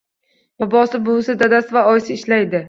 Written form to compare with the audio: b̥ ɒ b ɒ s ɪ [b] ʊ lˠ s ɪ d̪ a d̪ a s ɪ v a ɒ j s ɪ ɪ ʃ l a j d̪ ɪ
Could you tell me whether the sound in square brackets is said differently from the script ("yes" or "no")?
no